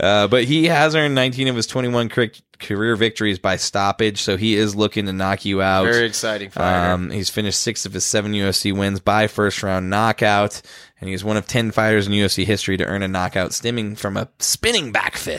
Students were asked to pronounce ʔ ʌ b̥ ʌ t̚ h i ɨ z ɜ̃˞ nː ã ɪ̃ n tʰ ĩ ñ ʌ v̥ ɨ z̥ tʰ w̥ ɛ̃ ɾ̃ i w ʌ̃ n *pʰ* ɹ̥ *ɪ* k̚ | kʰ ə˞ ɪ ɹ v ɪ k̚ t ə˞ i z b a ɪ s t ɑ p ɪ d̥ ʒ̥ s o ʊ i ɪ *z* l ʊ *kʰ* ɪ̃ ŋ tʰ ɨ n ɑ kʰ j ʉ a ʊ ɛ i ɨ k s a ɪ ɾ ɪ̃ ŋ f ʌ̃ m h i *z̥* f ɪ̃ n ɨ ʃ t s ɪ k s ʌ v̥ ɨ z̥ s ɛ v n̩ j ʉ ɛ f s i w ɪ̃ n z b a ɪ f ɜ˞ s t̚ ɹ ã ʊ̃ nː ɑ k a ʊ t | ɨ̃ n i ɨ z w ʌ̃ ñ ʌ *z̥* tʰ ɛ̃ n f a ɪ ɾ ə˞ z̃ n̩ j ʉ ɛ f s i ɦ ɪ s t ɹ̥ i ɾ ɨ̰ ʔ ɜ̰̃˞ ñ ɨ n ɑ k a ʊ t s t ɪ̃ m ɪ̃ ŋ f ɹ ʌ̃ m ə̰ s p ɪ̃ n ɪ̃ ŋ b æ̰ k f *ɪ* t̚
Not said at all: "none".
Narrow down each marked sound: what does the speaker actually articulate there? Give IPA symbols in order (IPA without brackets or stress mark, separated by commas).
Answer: kʰ, ɪ, z, k, z̥, v̥, ɪ